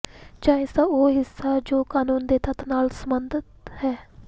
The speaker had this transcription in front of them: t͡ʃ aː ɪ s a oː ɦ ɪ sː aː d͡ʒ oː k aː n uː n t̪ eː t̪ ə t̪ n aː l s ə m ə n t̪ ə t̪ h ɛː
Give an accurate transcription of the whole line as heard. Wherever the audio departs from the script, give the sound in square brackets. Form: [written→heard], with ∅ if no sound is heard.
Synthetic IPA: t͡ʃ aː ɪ s a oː ɦ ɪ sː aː d͡ʒ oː k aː n uː n [t̪→d̪] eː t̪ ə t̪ n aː l s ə m ə n [t̪→d̪] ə t̪ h ɛː